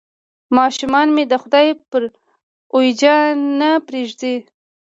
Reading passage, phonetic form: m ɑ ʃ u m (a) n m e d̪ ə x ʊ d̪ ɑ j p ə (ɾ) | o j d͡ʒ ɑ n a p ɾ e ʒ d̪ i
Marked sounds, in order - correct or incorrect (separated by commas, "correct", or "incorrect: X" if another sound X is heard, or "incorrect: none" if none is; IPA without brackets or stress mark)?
incorrect: ɑ, correct